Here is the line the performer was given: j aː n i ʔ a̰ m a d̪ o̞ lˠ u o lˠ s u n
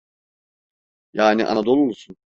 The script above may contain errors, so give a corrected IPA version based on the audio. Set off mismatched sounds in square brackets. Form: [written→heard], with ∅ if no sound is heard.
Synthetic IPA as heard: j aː n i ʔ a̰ [m→n] a d̪ o̞ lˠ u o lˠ s u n